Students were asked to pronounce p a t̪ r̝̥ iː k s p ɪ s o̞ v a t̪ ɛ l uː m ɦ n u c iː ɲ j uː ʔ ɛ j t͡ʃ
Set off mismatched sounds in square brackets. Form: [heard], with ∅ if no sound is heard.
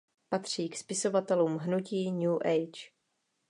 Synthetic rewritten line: p a t̪ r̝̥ iː k s p ɪ s o̞ v a t̪ ɛ l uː m ɦ n u c iː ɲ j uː ʔ ɛ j t͡ʃ